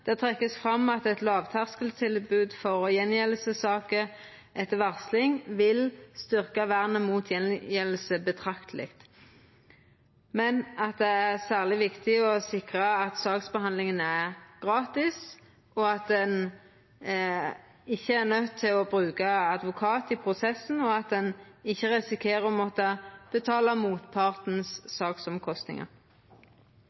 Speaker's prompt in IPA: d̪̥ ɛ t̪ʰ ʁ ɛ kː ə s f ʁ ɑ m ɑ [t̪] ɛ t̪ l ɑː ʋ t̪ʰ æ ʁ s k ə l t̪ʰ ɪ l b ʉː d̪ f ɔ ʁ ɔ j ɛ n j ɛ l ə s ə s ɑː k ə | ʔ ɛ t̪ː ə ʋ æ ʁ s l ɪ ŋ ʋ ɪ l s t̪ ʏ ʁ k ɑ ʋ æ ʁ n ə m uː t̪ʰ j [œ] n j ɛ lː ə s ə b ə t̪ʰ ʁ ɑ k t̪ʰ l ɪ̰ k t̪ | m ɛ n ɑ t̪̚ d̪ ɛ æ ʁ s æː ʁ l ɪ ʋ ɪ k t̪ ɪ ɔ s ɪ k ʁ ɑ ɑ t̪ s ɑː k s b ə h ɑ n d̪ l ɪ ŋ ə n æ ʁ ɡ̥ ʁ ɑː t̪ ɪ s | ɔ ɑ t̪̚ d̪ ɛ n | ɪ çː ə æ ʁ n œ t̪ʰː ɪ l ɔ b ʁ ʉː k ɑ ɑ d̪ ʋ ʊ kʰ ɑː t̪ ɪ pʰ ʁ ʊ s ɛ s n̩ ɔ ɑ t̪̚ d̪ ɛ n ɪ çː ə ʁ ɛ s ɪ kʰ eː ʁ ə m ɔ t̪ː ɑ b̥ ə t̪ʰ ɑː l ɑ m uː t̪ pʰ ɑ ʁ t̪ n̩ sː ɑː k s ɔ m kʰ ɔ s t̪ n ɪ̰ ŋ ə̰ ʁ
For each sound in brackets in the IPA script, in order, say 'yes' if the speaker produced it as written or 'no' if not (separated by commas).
yes, no